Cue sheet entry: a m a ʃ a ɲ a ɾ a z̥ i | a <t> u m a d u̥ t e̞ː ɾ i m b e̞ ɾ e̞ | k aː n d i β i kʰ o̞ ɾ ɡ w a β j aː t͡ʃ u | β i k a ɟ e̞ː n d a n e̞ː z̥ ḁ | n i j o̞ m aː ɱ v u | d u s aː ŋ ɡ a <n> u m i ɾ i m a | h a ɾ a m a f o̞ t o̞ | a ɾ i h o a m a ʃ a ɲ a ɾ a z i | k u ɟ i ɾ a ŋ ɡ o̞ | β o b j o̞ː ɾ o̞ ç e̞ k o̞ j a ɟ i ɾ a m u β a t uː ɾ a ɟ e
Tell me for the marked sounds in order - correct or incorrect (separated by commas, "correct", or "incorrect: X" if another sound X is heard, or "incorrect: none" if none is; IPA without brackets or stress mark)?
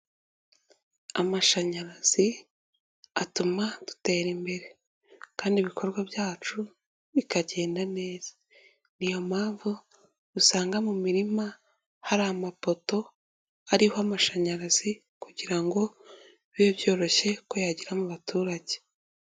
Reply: correct, incorrect: m